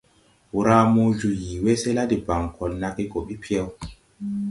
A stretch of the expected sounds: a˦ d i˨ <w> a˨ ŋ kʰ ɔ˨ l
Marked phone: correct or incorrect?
incorrect